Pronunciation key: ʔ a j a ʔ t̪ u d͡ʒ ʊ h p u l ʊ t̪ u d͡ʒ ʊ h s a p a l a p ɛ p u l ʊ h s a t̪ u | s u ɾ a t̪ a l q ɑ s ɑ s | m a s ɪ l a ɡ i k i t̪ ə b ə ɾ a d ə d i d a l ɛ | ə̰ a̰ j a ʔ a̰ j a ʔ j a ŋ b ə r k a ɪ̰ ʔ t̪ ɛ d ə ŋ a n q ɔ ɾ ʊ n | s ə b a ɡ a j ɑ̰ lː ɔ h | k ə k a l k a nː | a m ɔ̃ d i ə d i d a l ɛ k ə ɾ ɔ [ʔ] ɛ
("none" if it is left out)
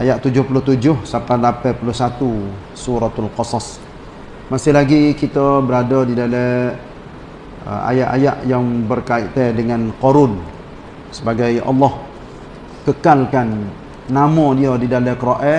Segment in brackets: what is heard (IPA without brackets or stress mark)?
ʔ